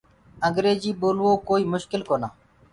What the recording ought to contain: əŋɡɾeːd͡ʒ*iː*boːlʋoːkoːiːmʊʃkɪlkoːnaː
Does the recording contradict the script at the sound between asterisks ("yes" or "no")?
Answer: no